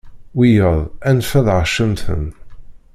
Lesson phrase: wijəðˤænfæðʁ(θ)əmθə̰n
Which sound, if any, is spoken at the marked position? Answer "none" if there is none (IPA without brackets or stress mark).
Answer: ʃ